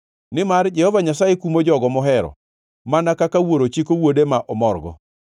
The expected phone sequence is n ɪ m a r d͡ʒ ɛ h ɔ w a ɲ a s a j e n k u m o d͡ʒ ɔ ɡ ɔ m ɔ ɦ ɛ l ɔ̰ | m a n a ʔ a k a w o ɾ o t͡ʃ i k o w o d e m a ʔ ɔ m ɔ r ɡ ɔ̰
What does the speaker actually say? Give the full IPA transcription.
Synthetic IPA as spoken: n ɪ m a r d͡ʒ ɛ h ɔ v a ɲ a s a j e k u m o d͡ʒ ɔ ɡ ɔ m ɔ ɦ ɛ ɾ ɔ̰ | m a n a k a k a w o ɾ o t͡ʃ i k o w o d e m a ʔ ɔ m ɔ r ɡ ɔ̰